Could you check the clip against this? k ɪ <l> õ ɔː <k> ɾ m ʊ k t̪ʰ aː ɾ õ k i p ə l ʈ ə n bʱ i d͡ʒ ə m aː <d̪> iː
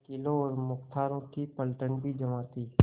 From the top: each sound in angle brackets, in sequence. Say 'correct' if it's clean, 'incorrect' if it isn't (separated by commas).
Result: correct, incorrect, incorrect